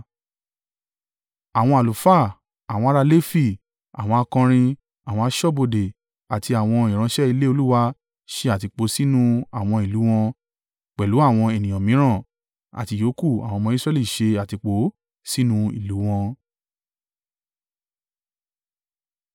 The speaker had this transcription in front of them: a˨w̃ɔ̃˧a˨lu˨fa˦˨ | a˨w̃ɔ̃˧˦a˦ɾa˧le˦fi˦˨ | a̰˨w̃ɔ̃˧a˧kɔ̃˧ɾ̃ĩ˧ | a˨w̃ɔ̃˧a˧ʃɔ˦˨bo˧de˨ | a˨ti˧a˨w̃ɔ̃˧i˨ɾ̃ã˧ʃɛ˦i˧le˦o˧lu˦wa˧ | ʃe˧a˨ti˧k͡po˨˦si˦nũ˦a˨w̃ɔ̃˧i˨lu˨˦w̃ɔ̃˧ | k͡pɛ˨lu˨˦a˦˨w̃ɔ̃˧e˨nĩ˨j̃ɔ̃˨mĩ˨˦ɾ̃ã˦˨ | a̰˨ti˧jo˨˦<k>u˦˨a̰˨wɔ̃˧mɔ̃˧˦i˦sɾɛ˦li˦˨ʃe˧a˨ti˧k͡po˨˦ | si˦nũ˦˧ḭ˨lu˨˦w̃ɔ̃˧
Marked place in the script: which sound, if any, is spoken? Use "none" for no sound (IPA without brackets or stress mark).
k